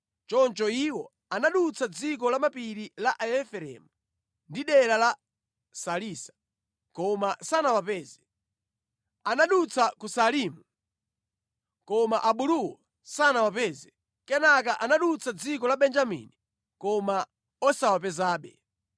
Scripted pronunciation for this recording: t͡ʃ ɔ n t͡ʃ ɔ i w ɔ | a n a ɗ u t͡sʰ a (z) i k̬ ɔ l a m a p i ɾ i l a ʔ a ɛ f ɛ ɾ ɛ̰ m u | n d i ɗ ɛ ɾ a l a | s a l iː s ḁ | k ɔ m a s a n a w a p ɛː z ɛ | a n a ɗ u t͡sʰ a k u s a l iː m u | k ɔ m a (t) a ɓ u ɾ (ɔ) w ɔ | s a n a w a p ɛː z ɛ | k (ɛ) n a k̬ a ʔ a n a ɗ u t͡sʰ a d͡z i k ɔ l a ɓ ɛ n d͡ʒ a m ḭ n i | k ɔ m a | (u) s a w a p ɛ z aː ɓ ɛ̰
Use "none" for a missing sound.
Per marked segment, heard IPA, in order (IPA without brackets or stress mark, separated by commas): d͡z, ʔ, u, ɛ, ɔ